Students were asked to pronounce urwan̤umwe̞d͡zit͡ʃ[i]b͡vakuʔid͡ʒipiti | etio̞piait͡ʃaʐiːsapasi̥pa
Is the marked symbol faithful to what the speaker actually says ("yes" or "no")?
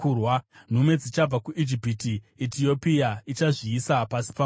no